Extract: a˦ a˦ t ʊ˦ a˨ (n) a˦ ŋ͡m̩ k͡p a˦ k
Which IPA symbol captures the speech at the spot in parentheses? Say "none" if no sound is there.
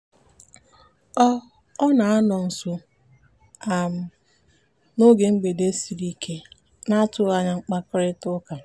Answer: ɲ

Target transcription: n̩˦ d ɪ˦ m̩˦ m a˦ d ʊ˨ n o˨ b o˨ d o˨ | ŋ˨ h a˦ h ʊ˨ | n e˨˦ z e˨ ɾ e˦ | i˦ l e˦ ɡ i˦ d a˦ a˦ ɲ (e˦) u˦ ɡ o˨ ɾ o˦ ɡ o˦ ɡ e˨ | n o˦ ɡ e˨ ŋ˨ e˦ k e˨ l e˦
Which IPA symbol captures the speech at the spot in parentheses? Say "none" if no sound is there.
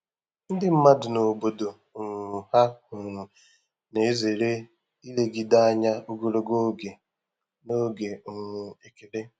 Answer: a˦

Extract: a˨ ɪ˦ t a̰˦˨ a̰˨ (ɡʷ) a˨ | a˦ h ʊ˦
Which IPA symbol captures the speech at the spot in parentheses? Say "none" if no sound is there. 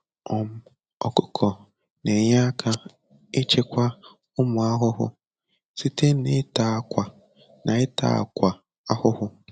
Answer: kʷ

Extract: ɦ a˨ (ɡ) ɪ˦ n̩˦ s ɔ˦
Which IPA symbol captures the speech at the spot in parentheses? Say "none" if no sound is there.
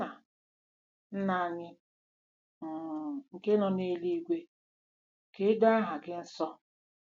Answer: ɡ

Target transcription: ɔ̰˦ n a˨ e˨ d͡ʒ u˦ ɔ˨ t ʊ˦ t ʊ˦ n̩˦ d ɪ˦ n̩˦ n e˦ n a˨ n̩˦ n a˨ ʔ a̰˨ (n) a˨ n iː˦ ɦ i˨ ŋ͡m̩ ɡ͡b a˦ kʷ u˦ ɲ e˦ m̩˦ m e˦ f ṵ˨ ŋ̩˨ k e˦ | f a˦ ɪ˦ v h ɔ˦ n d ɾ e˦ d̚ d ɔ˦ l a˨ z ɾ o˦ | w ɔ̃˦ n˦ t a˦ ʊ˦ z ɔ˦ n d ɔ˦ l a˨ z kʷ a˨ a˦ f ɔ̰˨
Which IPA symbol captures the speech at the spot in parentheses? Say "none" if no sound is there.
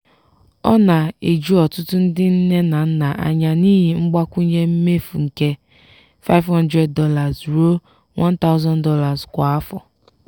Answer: ɲ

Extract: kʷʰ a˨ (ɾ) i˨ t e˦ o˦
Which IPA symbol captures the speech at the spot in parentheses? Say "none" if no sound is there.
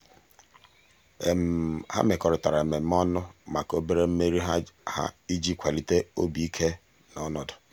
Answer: l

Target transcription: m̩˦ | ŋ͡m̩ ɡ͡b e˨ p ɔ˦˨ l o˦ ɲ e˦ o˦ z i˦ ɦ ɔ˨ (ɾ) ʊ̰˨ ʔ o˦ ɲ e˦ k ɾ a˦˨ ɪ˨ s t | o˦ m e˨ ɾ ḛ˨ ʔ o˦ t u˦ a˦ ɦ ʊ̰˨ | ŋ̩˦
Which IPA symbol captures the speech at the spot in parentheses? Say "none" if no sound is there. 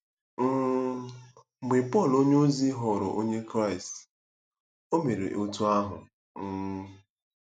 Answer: ɾ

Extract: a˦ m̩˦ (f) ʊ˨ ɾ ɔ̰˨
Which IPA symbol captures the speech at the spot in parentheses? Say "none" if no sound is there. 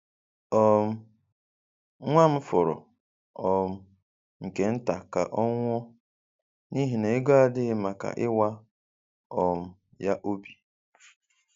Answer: f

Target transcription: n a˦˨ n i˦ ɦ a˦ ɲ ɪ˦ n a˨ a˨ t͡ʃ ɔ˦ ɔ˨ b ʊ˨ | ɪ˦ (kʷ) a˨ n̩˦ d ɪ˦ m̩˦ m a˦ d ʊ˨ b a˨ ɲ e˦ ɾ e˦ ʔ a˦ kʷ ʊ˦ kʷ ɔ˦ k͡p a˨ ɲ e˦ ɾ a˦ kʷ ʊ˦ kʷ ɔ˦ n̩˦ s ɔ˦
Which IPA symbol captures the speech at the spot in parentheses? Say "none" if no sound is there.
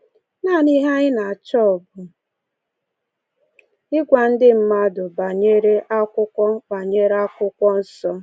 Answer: ɡʷ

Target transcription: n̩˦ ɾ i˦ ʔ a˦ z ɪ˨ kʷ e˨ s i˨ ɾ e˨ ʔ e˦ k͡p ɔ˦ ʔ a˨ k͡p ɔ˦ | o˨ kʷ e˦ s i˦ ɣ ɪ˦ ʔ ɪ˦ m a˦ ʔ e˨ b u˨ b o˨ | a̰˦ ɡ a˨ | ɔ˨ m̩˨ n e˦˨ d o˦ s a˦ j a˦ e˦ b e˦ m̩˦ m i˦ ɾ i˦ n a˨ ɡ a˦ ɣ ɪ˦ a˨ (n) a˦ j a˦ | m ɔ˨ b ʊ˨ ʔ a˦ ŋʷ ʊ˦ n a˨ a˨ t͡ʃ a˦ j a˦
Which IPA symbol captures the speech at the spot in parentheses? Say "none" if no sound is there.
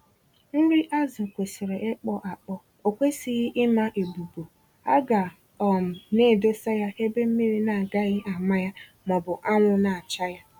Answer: m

